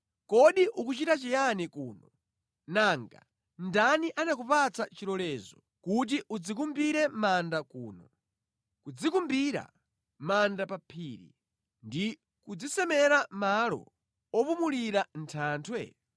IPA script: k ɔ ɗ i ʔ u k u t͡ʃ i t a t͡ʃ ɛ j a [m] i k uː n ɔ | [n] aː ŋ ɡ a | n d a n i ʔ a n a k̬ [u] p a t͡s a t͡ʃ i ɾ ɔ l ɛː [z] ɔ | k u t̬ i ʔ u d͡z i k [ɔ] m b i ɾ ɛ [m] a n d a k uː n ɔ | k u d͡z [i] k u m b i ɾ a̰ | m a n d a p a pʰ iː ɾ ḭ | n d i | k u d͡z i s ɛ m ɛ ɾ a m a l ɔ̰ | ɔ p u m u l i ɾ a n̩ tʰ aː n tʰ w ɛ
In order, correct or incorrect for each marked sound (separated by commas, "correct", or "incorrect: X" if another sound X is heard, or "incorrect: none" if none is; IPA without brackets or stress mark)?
incorrect: n, correct, correct, correct, incorrect: u, correct, correct